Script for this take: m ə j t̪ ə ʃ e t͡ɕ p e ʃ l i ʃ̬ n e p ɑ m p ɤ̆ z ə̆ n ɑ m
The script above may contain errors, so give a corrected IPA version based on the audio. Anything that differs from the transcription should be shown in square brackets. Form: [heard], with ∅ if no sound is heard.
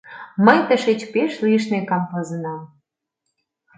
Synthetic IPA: m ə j t̪ ə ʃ e t͡ɕ p e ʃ l i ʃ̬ n e [k] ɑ m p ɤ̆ z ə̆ n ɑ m

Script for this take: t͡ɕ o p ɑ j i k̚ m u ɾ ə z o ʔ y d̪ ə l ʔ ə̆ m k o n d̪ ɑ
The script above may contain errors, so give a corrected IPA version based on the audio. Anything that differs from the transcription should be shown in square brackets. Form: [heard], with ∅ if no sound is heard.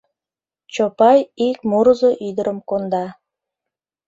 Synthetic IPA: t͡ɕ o p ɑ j i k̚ m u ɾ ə z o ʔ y d̪ ə [ɾ] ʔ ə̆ m k o n d̪ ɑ

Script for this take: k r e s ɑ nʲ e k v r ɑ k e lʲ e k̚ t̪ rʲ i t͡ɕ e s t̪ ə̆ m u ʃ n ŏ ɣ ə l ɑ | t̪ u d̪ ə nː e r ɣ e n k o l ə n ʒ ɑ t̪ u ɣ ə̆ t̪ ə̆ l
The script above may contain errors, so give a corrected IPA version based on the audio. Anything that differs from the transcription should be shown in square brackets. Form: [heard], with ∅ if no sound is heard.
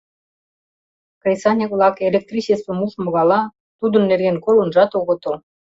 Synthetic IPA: k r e s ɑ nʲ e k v [l] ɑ k e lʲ e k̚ t̪ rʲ i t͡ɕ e s t̪ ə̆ m u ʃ [m] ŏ ɣ [ɑ] l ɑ | t̪ u d̪ ə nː e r ɣ e n k o l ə n ʒ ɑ t̪ [o] ɣ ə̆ t̪ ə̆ l

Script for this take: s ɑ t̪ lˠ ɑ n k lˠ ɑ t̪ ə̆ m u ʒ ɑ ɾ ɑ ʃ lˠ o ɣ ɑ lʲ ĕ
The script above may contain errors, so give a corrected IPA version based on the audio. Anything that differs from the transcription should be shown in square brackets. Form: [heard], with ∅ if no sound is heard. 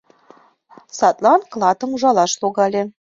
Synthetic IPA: s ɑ t̪ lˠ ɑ n k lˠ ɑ t̪ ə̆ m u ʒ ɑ [l] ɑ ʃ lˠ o ɣ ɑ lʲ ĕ

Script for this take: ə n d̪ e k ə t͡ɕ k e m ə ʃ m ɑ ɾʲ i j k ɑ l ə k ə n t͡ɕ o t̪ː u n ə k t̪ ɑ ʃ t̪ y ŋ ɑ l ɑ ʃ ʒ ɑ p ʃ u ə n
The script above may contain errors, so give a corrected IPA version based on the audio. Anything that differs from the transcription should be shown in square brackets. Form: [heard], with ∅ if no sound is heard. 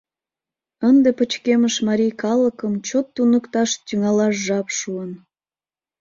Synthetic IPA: ə n d̪ e [p] ə t͡ɕ k e m ə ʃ m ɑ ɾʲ i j k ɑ l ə k ə [m] t͡ɕ o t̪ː u n ə k t̪ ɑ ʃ t̪ y ŋ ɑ l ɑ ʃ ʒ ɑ p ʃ u ə n

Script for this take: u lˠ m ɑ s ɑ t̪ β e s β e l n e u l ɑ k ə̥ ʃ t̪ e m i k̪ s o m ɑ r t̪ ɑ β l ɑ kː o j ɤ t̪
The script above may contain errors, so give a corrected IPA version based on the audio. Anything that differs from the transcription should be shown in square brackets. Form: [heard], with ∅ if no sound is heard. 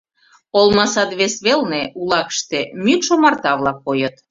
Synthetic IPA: [o] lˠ m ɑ s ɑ t̪ β e s β e l n e u l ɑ k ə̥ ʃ t̪ e m [y] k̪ [ʃ] o m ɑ r t̪ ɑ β l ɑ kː o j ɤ t̪

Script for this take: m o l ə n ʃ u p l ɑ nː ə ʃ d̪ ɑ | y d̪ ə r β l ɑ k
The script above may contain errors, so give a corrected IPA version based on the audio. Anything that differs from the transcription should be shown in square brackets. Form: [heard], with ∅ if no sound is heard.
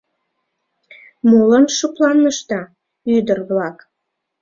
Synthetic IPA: m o l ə n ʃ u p l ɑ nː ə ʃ [t̪] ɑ | y d̪ ə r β l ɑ k

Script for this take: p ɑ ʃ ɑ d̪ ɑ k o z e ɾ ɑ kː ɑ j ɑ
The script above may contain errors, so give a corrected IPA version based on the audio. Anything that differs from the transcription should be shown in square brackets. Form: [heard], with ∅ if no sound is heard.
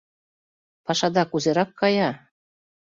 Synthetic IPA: p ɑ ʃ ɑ d̪ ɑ k [u] z e ɾ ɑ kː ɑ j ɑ

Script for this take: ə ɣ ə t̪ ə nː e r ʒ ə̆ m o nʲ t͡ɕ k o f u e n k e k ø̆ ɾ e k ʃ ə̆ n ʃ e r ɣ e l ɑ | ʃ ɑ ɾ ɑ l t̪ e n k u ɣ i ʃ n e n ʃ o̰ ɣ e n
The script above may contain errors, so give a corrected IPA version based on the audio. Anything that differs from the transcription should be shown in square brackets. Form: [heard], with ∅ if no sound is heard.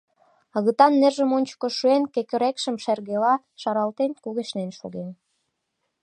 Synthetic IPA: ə ɣ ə t̪ [ɑ] nː e r ʒ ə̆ m o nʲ t͡ɕ k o [ʃ] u e n k e k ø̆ ɾ e k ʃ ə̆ [m] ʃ e r ɣ e l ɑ | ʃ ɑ ɾ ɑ l t̪ e n k u ɣ [e] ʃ n e n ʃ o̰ ɣ e n

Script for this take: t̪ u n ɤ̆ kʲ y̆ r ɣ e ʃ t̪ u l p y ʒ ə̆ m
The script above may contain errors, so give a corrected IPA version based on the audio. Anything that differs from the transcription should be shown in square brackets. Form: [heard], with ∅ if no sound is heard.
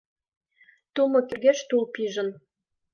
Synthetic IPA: t̪ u [m] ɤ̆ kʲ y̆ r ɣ e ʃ t̪ u l p [i] ʒ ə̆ [n]

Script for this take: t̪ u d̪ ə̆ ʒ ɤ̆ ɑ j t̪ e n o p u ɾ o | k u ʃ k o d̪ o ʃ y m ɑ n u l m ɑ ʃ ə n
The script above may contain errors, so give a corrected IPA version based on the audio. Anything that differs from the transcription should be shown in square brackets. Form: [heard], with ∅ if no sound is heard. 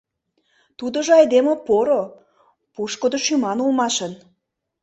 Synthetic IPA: t̪ u d̪ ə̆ ʒ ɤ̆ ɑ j [d̪] e [m] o p [o] ɾ o | [p] u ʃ k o d̪ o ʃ y m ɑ n u l m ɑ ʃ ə n

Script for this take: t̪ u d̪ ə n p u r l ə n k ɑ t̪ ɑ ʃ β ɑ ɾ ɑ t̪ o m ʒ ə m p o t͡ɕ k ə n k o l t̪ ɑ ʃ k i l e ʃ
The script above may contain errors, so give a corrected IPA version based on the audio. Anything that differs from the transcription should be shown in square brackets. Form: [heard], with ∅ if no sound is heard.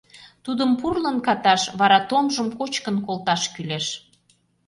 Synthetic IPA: t̪ u d̪ ə [m] p u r l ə n k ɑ t̪ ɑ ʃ β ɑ ɾ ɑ t̪ o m ʒ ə m [k] o t͡ɕ k ə n k o l t̪ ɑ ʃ k [y] l e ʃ

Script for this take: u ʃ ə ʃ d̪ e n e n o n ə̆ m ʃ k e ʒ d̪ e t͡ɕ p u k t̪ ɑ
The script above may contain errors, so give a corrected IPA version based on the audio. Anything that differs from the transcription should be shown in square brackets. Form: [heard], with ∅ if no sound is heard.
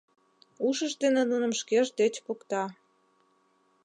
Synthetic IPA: u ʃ ə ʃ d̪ e n e n [u] n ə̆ m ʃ k e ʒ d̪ e t͡ɕ p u k t̪ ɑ

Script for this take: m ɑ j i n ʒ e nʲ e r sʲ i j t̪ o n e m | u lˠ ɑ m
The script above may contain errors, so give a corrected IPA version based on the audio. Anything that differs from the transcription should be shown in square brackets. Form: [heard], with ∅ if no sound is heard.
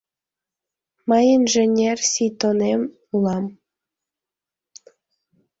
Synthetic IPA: m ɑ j i n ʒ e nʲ e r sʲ i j t̪ o n e m | u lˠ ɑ m

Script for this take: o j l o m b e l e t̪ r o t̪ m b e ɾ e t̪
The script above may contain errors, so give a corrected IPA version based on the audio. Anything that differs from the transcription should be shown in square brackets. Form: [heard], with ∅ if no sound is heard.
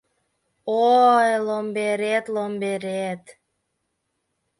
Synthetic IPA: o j l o m b e [ɾ] e t̪ [l] o [∅] m b e ɾ e t̪

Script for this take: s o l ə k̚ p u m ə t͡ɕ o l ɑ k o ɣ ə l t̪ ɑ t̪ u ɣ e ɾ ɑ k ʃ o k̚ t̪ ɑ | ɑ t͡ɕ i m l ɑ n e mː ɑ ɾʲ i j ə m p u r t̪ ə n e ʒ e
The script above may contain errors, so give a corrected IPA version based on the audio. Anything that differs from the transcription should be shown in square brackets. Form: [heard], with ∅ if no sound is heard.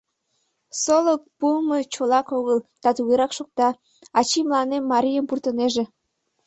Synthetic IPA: s o l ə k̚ p u m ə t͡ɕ o l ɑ k o ɣ ə l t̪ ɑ t̪ u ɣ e ɾ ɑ k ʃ o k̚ t̪ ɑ | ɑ t͡ɕ i m l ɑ n e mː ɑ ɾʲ i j ə m p u r t̪ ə n e ʒ e

